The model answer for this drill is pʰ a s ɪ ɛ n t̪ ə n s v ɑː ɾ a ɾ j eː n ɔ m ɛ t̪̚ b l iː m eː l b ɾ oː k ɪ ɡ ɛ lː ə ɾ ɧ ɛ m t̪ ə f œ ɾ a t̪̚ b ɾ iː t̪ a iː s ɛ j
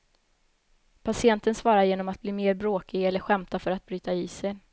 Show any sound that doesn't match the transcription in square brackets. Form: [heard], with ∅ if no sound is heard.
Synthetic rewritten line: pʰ a s ɪ ɛ n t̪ ə n s v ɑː ɾ a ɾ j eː n ɔ m [a] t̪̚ b l iː m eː [ɾ] b ɾ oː k ɪ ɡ ɛ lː ə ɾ ɧ ɛ m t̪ [a] f œ ɾ a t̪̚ b ɾ [yː] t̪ a iː s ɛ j